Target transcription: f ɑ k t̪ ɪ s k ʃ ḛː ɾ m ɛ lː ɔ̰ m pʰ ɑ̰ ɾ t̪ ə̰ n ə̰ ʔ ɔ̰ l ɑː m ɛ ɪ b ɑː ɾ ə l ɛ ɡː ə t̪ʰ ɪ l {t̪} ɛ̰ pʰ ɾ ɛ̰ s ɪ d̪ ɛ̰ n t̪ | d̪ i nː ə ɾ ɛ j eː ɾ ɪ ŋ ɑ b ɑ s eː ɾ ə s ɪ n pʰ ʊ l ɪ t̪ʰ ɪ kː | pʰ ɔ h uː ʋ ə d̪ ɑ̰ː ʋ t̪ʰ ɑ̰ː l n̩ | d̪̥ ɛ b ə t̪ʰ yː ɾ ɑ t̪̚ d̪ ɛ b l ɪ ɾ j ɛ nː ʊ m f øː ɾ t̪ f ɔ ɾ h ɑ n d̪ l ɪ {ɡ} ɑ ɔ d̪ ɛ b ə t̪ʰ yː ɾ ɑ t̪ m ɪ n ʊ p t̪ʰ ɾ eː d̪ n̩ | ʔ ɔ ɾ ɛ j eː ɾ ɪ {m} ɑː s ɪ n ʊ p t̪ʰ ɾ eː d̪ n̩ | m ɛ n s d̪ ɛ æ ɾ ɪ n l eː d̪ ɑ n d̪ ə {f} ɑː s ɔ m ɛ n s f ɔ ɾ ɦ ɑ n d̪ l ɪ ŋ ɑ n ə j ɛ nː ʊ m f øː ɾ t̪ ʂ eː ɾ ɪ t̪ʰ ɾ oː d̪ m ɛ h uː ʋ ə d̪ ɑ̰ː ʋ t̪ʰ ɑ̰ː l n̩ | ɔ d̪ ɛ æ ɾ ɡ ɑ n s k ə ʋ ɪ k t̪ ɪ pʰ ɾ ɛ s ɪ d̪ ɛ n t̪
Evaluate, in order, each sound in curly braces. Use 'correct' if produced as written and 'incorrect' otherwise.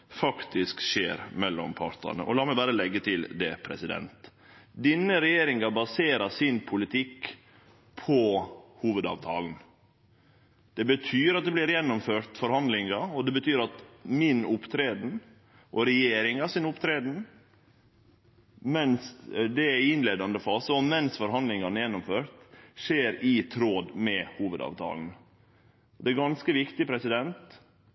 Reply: incorrect, incorrect, incorrect, correct

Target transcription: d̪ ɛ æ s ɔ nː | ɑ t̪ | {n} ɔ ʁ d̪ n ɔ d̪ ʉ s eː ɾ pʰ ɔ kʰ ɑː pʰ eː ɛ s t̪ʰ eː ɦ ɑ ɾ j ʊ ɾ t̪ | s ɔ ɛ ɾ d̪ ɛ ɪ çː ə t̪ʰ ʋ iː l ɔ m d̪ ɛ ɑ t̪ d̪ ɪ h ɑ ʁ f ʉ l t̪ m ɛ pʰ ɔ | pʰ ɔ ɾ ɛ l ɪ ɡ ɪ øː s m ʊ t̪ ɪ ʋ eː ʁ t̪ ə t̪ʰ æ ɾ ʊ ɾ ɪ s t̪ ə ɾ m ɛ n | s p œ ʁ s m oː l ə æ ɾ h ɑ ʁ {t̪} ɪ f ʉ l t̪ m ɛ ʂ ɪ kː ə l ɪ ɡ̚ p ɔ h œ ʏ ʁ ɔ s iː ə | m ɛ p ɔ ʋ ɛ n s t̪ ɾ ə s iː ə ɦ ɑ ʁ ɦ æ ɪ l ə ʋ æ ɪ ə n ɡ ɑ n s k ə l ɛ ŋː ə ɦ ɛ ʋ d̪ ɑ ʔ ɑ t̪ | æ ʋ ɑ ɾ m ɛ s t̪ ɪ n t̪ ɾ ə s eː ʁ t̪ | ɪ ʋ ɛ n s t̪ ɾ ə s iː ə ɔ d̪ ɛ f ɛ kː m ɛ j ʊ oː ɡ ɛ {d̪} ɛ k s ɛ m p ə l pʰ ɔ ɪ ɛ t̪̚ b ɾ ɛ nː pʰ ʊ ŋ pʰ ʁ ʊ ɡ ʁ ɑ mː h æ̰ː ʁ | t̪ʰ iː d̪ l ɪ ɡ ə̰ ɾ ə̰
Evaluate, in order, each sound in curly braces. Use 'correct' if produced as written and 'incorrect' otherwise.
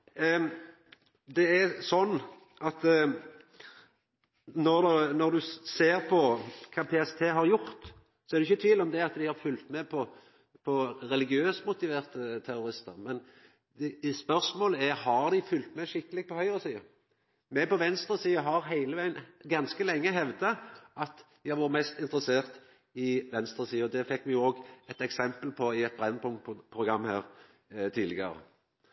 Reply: correct, incorrect, incorrect

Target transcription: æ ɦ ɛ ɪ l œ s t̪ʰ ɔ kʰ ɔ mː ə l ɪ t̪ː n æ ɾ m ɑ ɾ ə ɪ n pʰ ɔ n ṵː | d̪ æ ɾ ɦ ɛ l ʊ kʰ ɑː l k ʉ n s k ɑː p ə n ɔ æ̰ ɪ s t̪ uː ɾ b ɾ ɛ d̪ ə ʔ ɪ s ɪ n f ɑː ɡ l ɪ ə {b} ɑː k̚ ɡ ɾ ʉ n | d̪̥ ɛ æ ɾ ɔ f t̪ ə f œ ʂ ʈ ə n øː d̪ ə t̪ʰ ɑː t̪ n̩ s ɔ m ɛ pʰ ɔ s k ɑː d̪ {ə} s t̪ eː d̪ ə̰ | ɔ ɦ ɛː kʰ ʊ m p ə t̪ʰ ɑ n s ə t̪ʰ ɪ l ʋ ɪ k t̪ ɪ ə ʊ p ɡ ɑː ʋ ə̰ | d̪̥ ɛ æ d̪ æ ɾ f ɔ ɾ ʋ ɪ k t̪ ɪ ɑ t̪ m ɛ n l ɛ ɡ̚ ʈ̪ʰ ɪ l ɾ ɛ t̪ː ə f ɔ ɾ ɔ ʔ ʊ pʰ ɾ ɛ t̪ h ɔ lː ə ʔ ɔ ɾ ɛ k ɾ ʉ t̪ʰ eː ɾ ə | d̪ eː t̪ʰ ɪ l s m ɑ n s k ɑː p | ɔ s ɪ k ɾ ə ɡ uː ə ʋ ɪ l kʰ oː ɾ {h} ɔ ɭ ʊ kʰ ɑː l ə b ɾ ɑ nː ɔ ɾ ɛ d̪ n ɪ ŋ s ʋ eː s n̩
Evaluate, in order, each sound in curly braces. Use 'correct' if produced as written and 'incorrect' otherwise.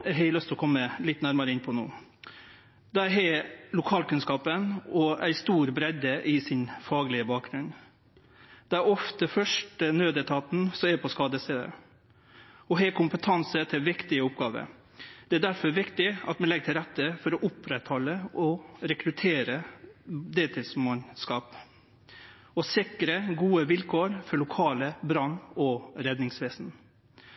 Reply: correct, correct, incorrect

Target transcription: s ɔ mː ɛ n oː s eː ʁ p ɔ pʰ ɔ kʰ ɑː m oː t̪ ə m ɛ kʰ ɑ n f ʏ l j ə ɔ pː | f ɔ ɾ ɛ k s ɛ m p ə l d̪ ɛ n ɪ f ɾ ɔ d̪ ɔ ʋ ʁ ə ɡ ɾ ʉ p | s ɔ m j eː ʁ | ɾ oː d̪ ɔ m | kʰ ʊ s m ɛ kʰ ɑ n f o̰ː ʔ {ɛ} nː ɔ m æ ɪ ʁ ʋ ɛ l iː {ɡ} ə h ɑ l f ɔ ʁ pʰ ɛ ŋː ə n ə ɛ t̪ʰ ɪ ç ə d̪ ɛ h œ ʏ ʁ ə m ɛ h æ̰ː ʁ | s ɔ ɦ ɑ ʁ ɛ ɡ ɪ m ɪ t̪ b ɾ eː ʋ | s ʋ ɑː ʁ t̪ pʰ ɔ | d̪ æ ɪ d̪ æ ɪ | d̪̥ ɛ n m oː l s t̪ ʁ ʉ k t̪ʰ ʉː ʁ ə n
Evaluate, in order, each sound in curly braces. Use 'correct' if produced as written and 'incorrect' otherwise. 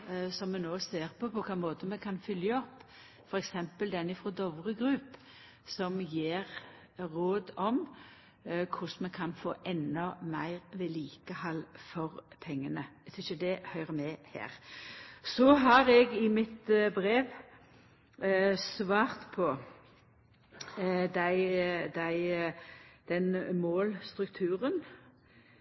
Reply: correct, incorrect

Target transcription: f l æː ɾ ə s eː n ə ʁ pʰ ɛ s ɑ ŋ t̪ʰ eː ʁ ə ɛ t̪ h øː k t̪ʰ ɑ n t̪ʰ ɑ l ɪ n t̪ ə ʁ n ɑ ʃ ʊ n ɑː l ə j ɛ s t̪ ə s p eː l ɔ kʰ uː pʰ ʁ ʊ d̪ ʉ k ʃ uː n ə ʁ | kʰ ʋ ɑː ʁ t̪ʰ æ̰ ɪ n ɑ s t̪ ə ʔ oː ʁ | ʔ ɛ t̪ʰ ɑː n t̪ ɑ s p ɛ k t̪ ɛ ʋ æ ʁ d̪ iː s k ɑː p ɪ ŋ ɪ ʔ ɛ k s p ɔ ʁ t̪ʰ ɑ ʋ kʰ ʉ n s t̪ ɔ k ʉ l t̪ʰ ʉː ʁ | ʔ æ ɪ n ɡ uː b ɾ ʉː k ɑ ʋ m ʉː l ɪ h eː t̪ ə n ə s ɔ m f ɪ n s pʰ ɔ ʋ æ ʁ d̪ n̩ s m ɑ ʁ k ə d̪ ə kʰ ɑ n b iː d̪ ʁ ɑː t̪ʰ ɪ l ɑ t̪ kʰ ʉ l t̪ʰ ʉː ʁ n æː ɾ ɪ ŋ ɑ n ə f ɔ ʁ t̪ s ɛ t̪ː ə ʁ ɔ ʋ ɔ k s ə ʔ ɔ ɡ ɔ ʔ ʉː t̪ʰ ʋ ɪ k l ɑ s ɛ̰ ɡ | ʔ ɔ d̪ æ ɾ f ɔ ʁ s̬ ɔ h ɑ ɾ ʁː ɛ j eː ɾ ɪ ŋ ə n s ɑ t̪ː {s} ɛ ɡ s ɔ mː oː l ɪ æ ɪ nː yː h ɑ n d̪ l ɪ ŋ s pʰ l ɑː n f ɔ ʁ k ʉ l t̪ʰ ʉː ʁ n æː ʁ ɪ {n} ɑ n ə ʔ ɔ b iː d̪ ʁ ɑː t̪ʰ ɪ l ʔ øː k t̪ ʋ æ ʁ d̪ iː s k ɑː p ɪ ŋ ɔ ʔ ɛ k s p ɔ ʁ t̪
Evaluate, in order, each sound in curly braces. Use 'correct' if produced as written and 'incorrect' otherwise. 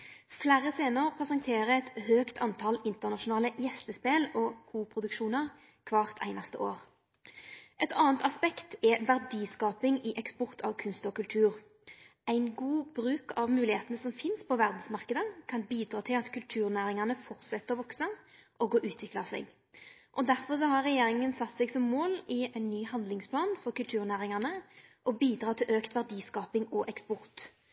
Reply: correct, incorrect

